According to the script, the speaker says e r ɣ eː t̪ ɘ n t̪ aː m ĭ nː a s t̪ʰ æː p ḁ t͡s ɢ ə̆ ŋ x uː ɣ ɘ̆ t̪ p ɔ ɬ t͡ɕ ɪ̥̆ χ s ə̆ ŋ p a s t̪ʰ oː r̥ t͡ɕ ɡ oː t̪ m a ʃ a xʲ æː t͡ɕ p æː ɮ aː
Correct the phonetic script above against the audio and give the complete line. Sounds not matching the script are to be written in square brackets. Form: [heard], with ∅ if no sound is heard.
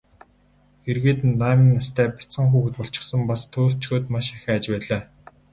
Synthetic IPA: e r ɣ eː t̪ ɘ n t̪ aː m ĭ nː a s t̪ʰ æː p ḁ t͡s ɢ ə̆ ŋ x uː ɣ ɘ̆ t̪ p ɔ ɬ t͡ɕ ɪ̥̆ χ s ə̆ [m] p a s t̪ʰ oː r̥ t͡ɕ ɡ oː t̪ m a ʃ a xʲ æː t͡ɕ p æː ɮ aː